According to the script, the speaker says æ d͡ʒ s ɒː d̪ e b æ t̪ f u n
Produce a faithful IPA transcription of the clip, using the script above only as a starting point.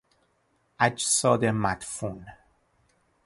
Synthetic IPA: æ d͡ʒ s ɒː d̪ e m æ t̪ f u n